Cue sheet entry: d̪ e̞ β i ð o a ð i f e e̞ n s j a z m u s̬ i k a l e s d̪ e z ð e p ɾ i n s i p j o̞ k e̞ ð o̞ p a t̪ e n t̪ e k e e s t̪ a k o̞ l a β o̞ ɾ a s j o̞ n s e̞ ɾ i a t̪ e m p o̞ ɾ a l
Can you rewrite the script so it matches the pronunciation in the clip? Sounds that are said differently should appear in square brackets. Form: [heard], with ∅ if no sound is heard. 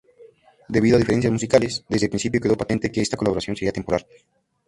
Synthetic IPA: d̪ e̞ β i ð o a ð i f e e̞ n s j a z m u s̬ i k a l e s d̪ e z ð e p ɾ i n s i p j o̞ k e̞ ð o̞ p a t̪ e n t̪ e k e e s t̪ a k o̞ l a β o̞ ɾ a s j o̞ n s e̞ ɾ i a t̪ e m p o̞ ɾ a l